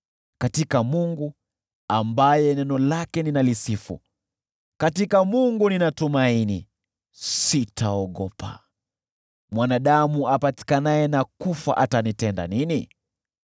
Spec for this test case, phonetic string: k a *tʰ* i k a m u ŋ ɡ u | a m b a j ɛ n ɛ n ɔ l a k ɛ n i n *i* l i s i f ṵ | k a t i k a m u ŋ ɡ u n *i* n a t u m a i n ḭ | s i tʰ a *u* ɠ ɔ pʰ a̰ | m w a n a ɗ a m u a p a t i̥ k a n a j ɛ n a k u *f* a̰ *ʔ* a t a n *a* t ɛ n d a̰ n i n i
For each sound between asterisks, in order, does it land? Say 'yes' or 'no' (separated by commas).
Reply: no, no, yes, no, yes, yes, no